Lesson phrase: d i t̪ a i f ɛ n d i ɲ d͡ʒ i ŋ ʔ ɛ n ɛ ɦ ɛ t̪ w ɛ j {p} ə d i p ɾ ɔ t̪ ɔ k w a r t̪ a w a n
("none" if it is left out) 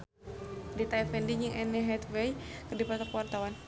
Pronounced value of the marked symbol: k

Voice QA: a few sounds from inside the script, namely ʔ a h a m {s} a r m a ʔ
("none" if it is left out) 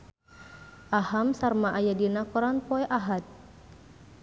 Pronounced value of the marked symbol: s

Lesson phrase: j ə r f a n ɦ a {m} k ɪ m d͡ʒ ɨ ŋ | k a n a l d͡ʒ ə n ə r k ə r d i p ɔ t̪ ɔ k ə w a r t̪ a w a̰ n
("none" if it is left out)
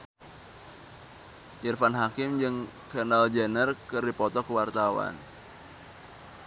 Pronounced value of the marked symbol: none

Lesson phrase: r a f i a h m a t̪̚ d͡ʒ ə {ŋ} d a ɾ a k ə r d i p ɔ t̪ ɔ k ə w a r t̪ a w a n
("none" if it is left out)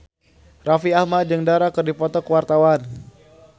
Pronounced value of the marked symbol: ŋ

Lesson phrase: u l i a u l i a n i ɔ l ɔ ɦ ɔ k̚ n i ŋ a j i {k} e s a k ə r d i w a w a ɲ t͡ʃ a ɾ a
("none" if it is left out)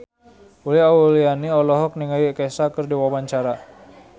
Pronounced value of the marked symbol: k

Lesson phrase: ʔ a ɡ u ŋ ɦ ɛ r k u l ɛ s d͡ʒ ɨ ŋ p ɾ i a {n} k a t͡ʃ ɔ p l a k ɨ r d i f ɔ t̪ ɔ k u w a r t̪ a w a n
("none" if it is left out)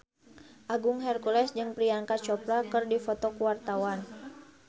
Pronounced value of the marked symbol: ŋ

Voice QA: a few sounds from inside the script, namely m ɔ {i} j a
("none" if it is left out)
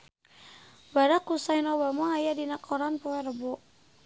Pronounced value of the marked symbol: a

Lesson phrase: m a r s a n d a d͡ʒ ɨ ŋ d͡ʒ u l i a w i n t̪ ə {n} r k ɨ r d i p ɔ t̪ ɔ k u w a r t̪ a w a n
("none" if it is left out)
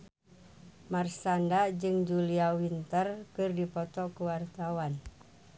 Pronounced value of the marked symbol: none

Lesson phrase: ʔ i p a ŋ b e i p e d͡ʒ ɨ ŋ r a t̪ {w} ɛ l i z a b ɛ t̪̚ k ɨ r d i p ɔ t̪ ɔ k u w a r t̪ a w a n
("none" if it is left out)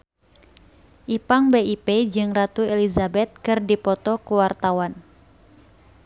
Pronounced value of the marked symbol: u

